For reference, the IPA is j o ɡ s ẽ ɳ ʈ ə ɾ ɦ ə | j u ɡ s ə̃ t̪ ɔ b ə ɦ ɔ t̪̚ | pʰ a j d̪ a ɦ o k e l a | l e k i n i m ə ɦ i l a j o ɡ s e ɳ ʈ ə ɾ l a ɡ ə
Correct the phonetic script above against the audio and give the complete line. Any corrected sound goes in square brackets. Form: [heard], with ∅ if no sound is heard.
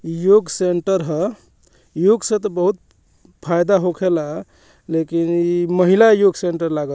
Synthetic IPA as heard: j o ɡ s [e] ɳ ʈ ə ɾ ɦ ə | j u ɡ s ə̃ t̪ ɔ b ə ɦ [u] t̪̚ | pʰ a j d̪ a ɦ o [kʰ] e l a | l e k i n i m ə ɦ i l a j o ɡ s e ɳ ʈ ə ɾ l a ɡ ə

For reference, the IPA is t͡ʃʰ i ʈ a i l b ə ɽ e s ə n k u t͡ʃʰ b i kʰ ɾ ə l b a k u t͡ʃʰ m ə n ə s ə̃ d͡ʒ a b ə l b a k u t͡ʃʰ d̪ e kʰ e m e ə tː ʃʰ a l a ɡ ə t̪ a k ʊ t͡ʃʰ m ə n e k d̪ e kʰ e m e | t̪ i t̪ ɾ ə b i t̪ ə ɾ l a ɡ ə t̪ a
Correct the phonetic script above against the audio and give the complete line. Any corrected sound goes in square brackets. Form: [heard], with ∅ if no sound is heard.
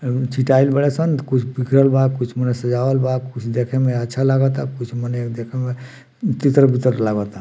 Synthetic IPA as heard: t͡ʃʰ i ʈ a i l b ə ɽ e s ə n k u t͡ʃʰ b i kʰ ɾ ə l b a k u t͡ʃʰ m ə n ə s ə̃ d͡ʒ a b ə l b a k u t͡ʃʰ d̪ e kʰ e m e ə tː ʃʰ a l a ɡ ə t̪ a k [u] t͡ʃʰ m ə n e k d̪ e kʰ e m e | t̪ i t̪ ɾ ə b i t̪ ə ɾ l a ɡ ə t̪ a

